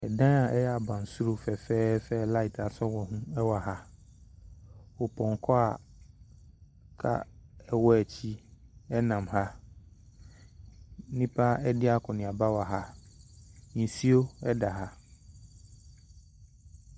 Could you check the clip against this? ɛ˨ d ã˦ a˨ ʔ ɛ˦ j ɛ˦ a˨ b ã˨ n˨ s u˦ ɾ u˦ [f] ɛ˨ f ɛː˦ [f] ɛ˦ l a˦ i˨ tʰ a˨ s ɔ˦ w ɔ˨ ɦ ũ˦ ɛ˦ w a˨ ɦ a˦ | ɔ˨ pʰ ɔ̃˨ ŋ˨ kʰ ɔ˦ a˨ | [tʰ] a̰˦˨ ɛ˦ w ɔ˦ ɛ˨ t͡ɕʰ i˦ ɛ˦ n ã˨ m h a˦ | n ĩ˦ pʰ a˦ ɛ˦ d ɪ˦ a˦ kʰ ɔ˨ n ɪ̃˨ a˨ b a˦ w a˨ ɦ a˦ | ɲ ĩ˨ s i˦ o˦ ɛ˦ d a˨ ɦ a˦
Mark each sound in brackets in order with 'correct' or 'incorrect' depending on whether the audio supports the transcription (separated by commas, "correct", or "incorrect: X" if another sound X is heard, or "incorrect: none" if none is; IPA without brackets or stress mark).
correct, correct, incorrect: kʰ